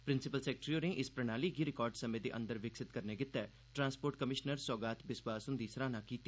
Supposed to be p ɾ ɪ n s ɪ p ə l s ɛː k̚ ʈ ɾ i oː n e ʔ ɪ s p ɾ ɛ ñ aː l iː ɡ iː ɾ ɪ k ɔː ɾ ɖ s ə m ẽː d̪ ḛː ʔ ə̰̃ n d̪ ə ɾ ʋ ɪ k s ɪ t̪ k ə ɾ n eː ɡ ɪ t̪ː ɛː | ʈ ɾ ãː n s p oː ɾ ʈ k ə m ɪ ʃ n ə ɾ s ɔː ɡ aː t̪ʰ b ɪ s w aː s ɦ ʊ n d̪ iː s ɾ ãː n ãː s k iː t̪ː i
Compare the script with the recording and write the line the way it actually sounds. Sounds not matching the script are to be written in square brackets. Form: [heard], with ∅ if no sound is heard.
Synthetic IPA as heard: p ɾ ɪ n s ɪ p ə l s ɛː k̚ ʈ ɾ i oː n e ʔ ɪ s p ɾ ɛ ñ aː l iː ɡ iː ɾ ɪ k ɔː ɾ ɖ s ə m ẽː d̪ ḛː ʔ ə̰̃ n d̪ ə ɾ ʋ ɪ k s ɪ t̪ k ə ɾ n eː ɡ ɪ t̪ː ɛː | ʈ ɾ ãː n s p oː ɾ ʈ k ə m ɪ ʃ n ə ɾ s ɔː ɡ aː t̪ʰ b ɪ s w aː s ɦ ʊ n d̪ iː s ɾ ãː n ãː [∅] k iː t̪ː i

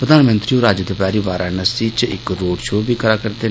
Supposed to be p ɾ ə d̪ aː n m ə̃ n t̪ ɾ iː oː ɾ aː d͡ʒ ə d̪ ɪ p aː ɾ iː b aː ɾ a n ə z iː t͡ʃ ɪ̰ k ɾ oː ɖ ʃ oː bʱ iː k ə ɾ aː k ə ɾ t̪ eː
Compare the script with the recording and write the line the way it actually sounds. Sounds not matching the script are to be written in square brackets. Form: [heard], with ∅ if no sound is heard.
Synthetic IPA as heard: p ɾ ə d̪ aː n m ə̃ n t̪ ɾ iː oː ɾ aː d͡ʒ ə d̪ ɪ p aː ɾ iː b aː ɾ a n ə [s] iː t͡ʃ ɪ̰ k ɾ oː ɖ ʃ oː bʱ iː k ə ɾ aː k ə ɾ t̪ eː

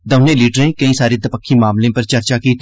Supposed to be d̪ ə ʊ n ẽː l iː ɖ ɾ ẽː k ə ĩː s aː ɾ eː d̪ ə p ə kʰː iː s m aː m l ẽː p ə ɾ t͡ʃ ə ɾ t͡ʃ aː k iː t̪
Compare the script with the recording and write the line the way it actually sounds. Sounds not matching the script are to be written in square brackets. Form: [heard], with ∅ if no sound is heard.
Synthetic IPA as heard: d̪ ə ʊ n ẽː l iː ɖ ɾ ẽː k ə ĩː s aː ɾ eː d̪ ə p ə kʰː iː [∅] m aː m l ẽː p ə ɾ t͡ʃ ə ɾ t͡ʃ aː k iː t̪

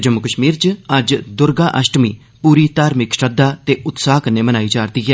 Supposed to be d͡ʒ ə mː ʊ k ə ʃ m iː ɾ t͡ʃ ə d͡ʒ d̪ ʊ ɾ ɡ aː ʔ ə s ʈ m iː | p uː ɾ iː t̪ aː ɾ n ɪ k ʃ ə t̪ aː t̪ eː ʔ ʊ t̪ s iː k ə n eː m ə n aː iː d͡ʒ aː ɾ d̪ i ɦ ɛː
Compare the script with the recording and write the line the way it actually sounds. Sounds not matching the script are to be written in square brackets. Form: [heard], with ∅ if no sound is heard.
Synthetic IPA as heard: d͡ʒ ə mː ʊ k ə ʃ m iː ɾ t͡ʃ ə d͡ʒ d̪ ʊ ɾ ɡ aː ʔ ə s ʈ m iː | p uː ɾ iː t̪ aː ɾ [m] ɪ k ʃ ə [d̪] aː t̪ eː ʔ ʊ t̪ s [aː] k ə n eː m ə n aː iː d͡ʒ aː ɾ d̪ [iː] ɦ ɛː

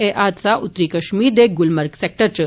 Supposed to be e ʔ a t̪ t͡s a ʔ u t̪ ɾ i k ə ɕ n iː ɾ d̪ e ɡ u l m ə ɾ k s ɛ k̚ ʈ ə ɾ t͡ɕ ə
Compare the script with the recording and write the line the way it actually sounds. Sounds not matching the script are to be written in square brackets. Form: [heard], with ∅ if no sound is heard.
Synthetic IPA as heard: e ʔ a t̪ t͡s a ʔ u t̪ ɾ i k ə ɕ [m] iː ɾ d̪ e ɡ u l m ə ɾ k s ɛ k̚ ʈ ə ɾ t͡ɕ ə

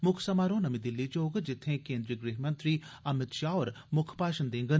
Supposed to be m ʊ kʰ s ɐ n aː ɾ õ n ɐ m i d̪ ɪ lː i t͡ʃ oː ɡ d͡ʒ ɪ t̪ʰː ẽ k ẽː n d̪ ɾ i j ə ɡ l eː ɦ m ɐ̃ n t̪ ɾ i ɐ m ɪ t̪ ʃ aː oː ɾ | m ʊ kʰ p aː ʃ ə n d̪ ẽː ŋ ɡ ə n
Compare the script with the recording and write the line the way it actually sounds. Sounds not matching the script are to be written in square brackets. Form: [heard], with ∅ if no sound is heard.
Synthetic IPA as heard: m ʊ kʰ s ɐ [m] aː ɾ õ n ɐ m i d̪ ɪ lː i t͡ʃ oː ɡ d͡ʒ ɪ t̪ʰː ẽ k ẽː n d̪ ɾ i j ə ɡ [ɾ] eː ɦ m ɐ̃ n t̪ ɾ i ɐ m ɪ t̪ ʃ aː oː ɾ | m ʊ kʰ p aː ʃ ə n d̪ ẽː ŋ ɡ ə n

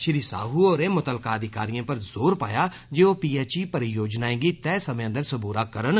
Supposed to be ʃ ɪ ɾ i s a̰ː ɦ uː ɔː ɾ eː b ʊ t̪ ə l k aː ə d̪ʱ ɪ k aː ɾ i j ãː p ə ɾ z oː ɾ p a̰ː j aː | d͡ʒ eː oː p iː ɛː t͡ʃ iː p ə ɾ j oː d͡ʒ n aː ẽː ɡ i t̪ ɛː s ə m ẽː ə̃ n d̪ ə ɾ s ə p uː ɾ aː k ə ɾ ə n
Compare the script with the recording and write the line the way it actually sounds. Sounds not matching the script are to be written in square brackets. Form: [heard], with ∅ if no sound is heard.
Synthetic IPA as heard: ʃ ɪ ɾ i s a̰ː ɦ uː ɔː ɾ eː [m] ʊ t̪ ə l k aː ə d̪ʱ ɪ k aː ɾ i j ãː p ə ɾ z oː ɾ p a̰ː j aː | d͡ʒ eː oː p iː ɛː t͡ʃ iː p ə ɾ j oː d͡ʒ n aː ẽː ɡ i t̪ ɛː s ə m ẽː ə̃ n d̪ ə ɾ s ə [b] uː ɾ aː k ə ɾ ə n

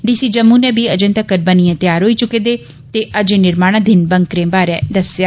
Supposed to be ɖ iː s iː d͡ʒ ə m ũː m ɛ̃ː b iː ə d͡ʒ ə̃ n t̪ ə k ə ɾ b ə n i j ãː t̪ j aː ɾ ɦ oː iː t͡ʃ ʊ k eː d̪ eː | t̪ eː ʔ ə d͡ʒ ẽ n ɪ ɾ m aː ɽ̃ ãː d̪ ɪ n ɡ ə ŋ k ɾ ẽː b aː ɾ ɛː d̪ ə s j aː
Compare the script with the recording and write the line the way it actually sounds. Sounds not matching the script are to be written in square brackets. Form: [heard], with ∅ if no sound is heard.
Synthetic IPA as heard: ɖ iː s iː d͡ʒ ə m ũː [n] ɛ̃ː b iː ə d͡ʒ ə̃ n t̪ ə k ə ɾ b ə n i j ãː t̪ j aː ɾ ɦ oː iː t͡ʃ ʊ k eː d̪ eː | t̪ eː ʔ ə d͡ʒ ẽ n ɪ ɾ m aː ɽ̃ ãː d̪ ɪ n [b] ə ŋ k ɾ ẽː b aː ɾ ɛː d̪ ə s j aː

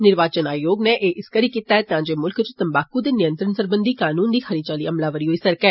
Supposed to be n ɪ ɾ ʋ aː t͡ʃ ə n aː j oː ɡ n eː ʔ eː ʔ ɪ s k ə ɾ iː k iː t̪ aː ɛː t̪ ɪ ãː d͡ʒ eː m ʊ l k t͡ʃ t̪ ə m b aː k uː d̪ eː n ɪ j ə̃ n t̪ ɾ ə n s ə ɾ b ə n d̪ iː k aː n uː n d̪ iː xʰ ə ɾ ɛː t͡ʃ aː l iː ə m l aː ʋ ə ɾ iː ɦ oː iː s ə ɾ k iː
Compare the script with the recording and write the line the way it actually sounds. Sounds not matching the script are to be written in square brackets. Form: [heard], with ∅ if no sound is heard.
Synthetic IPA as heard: n ɪ ɾ ʋ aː t͡ʃ ə n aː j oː ɡ n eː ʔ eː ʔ ɪ s k ə ɾ iː k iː t̪ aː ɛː t̪ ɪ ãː d͡ʒ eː m ʊ l k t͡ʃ t̪ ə m b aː k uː d̪ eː n ɪ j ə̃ n t̪ ɾ ə n s ə ɾ b ə n d̪ iː k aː n uː n d̪ iː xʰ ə ɾ [iː] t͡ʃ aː l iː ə m l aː ʋ ə ɾ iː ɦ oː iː s ə ɾ k [ɛː]

